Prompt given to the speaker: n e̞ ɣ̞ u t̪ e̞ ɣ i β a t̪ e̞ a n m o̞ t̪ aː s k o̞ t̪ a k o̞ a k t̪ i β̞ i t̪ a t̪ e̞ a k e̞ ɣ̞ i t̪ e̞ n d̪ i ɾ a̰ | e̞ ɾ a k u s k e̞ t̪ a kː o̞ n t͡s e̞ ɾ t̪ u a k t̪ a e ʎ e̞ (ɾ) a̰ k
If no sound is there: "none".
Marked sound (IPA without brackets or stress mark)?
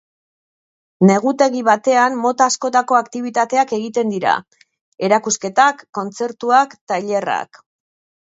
r